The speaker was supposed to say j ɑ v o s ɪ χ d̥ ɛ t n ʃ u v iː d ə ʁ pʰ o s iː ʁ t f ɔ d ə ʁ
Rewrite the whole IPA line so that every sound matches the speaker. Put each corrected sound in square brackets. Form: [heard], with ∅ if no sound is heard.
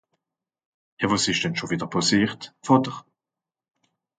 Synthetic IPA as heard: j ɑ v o s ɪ [ʃ] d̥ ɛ [∅] n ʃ [o] v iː d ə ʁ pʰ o s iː ʁ t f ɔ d ə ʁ